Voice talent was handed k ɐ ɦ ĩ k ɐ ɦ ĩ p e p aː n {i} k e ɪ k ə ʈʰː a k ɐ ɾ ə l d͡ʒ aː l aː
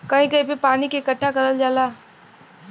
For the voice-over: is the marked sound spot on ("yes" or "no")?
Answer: yes